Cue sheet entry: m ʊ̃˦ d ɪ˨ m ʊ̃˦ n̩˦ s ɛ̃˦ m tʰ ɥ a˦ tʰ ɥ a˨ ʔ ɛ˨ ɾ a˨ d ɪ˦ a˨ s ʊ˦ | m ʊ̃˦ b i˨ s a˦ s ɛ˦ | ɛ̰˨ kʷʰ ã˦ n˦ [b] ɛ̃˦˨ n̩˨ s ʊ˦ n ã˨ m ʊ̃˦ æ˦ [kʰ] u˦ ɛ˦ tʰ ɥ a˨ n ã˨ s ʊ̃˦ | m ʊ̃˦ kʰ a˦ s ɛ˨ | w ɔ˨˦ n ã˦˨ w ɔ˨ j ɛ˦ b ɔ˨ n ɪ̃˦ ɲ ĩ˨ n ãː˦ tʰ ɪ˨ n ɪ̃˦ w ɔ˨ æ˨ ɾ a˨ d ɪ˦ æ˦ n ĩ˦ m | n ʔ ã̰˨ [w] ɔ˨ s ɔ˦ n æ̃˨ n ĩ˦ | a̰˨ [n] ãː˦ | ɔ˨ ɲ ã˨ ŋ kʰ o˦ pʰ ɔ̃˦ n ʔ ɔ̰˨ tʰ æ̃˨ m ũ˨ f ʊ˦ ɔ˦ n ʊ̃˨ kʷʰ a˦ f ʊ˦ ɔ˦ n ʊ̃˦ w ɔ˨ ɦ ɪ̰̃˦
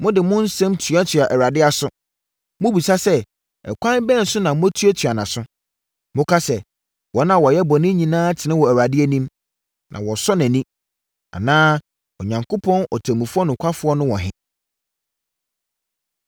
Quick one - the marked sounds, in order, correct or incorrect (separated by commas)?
correct, incorrect, correct, correct